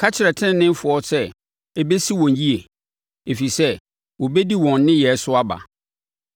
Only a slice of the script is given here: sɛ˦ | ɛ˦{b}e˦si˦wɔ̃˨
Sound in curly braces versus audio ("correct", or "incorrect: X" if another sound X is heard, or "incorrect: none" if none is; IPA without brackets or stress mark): correct